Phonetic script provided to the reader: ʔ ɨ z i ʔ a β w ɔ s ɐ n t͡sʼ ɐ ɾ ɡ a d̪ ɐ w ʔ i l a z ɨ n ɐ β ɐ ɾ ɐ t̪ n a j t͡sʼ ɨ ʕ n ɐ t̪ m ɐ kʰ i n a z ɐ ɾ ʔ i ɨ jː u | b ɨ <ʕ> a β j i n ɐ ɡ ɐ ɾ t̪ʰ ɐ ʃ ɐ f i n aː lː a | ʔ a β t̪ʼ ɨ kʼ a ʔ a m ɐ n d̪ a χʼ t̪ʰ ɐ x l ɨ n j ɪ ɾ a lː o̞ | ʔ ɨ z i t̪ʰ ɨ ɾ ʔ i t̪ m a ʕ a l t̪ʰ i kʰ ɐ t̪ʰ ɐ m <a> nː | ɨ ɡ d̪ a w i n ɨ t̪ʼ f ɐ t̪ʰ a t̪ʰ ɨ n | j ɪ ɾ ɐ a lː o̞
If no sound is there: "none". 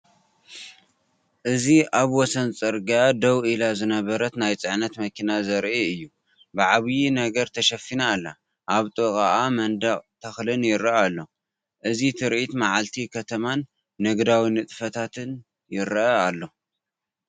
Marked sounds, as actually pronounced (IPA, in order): ʕ, a

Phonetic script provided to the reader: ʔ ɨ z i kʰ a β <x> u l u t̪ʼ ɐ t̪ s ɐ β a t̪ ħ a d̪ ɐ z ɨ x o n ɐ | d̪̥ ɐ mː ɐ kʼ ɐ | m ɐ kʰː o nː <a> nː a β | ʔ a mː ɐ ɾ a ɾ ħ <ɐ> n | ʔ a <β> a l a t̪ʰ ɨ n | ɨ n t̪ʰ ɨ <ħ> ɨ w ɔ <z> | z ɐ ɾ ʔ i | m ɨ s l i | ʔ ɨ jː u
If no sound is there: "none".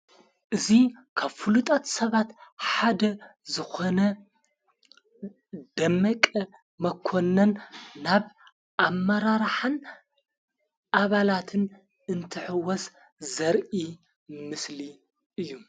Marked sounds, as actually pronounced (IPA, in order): f, ɐ, a, β, ħ, s

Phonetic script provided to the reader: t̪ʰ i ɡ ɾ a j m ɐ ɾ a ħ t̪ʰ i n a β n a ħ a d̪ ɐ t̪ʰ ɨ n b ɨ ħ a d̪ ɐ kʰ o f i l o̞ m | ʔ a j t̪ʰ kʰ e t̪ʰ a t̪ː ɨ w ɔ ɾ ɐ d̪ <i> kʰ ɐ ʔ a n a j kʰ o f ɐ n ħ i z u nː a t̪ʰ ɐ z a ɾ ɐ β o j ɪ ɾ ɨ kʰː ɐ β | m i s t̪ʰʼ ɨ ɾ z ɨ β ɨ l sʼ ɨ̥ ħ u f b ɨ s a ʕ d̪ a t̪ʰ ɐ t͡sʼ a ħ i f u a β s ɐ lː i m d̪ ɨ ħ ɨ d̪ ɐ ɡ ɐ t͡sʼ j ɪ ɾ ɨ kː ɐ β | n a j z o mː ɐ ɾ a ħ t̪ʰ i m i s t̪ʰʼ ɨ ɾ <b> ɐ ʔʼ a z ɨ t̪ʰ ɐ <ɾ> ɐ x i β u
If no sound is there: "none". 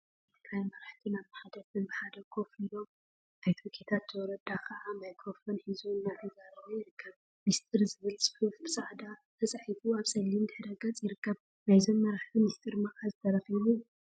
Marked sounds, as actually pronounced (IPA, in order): a, m, ɾ

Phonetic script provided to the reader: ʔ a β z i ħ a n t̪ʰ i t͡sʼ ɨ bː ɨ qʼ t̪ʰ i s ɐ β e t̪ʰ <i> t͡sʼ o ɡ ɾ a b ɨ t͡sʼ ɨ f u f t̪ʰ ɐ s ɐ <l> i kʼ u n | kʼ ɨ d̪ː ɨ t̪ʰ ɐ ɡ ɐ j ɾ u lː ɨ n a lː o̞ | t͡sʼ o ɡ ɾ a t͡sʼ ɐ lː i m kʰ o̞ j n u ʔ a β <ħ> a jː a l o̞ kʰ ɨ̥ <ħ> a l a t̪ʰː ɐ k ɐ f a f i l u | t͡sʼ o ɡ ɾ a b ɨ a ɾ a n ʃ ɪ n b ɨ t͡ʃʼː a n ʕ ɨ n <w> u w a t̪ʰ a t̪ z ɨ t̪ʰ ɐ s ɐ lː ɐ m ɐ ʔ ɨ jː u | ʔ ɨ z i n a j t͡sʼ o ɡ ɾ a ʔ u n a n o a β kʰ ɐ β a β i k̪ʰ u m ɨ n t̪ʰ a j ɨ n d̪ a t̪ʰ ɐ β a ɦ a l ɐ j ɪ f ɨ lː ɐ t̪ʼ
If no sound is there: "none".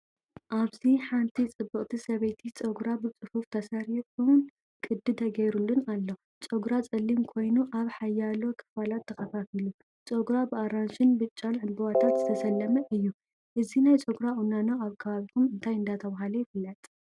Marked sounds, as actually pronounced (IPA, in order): i, ɾ, ħ, f, b

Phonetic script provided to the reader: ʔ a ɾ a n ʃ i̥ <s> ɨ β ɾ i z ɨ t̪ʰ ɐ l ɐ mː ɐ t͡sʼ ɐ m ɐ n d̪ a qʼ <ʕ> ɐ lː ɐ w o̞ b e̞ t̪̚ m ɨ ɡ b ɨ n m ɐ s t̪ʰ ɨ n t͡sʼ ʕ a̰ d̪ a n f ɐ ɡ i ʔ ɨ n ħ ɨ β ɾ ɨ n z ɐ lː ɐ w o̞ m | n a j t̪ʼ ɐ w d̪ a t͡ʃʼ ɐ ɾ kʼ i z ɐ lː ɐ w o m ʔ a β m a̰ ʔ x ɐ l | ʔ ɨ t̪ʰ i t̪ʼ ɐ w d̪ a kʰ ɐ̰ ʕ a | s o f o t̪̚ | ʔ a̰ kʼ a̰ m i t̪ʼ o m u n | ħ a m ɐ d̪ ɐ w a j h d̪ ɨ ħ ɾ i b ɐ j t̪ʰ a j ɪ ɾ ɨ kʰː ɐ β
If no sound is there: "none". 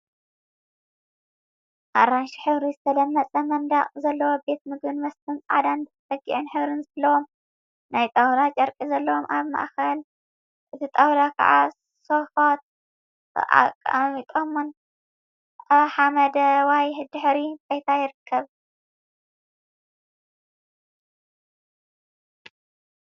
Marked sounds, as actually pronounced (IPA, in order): ħ, z

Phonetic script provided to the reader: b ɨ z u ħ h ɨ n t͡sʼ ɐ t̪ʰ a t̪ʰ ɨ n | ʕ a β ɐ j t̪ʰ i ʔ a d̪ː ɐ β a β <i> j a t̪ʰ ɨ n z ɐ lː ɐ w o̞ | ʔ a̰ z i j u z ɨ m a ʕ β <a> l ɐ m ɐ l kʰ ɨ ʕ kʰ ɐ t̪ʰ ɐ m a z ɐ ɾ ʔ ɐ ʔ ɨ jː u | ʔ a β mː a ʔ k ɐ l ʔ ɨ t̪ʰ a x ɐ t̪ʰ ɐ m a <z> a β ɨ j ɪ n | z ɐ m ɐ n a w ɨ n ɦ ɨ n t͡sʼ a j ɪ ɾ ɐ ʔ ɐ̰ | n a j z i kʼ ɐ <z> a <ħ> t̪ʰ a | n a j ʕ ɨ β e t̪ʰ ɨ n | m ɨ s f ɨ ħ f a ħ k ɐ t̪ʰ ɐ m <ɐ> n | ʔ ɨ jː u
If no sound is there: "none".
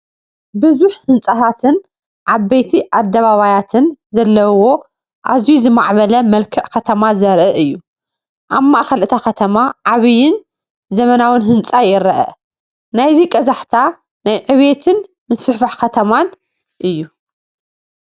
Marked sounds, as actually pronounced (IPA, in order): a, ɐ, ʕ, z, ħ, a

